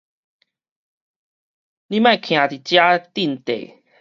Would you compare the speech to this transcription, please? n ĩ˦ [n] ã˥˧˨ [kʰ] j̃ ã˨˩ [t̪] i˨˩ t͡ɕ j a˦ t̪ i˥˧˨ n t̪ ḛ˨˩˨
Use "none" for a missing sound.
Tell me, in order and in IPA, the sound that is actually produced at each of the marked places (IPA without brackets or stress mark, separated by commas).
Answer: m, kʰ, t̪